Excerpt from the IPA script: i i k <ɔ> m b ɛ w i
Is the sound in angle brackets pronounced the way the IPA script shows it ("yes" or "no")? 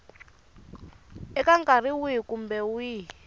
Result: no